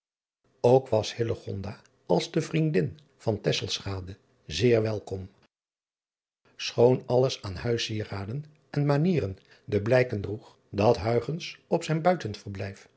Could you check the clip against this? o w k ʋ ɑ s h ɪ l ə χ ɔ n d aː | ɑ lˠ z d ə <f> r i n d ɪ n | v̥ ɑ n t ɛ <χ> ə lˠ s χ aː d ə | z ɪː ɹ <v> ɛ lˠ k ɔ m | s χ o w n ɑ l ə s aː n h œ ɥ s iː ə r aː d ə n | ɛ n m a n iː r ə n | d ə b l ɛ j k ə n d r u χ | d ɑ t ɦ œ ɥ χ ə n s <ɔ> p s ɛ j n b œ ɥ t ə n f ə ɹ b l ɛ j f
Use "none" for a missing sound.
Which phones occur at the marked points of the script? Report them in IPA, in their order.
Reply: v, s, ʋ, ɔ

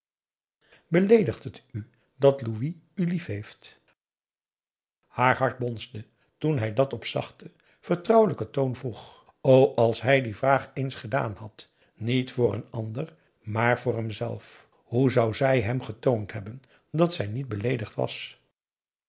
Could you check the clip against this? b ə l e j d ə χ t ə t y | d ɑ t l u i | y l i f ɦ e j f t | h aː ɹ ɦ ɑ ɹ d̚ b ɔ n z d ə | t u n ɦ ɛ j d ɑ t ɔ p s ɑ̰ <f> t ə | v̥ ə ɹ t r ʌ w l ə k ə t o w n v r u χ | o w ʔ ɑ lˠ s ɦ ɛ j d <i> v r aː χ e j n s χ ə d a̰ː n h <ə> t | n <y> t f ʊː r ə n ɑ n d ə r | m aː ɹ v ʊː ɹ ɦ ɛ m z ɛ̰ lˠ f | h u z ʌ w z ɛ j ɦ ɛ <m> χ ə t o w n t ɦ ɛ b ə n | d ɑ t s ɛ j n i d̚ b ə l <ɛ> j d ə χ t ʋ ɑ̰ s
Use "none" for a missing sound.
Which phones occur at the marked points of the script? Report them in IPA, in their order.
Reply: χ, i, ɑ, i, m, e

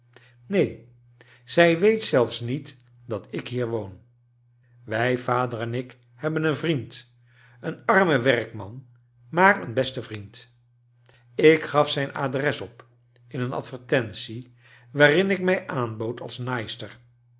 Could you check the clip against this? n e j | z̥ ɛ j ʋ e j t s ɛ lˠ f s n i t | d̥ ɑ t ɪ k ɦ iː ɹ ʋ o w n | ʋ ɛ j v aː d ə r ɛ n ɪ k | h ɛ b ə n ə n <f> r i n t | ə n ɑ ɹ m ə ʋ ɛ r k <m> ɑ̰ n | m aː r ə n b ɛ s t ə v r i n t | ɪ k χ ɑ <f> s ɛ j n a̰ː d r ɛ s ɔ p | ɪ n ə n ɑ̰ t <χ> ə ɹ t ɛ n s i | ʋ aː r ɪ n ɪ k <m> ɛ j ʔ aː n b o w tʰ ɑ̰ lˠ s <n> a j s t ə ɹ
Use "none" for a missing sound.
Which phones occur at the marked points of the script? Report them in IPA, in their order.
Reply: v, m, f, f, m, n

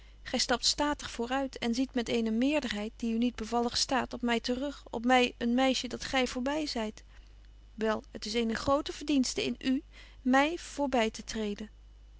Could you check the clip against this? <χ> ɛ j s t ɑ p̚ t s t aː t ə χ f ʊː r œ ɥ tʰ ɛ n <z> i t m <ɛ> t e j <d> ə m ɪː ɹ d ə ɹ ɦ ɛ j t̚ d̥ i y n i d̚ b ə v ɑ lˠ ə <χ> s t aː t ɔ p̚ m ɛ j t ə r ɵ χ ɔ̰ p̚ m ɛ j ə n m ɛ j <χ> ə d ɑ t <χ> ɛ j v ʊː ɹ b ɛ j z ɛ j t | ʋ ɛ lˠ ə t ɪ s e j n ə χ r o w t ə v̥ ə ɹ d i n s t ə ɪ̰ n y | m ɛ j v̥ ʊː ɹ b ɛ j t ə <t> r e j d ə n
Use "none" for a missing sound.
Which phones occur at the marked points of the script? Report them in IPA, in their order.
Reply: χ, z, ɛ, n, χ, ʃ, χ, t

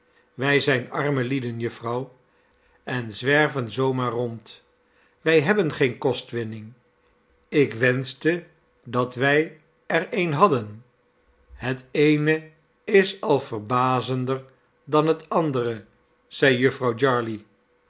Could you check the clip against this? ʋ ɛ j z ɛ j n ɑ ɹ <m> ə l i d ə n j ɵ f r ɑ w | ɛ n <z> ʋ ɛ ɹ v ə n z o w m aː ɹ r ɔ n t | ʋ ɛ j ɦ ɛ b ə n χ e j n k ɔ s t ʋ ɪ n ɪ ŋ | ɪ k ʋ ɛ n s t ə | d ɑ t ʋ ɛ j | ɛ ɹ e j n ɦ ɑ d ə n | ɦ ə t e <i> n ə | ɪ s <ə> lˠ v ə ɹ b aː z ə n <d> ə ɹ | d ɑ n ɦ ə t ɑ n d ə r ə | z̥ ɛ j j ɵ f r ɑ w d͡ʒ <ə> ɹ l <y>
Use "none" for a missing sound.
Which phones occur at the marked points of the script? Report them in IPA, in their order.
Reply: m, z, j, ɑ, d, ɑ, i

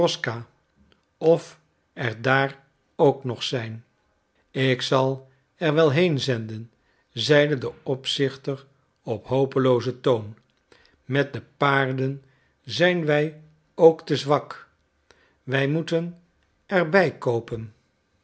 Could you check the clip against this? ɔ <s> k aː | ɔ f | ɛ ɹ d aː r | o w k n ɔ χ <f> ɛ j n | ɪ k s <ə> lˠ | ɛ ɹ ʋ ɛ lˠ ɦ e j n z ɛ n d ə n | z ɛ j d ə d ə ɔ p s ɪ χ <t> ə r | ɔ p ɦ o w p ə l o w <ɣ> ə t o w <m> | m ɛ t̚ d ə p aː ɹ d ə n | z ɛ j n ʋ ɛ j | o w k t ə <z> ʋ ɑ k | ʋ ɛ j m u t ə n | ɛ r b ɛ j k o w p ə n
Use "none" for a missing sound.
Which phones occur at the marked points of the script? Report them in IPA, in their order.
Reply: s, s, ɑ, t, z, n, z

